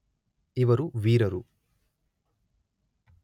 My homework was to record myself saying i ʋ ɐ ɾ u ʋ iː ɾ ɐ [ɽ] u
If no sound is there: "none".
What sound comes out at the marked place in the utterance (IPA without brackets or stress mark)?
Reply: ɾ